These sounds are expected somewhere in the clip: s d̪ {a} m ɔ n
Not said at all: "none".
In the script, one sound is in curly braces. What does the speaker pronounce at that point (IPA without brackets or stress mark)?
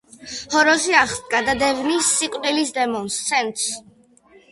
ɛ